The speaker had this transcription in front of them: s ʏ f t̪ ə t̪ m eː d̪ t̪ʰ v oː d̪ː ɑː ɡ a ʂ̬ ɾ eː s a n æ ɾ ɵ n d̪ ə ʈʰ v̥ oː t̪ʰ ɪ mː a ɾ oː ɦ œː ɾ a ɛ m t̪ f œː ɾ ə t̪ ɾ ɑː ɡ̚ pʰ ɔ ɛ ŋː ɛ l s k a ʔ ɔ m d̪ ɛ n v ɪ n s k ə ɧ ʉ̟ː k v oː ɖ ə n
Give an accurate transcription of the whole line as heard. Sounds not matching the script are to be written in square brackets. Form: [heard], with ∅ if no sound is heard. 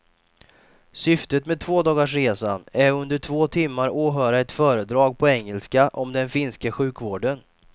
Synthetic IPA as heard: s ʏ f t̪ ə t̪ m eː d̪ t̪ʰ v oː [d̪] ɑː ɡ a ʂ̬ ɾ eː s a n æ ɾ ɵ n d̪ ə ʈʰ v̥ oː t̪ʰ ɪ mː a ɾ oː ɦ œː ɾ a ɛ [∅] t̪ f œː ɾ ə [d̪] ɾ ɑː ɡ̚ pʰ ɔ ɛ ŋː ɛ l s k a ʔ ɔ m d̪ ɛ n [f] ɪ n s k ə ɧ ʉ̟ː k v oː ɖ ə n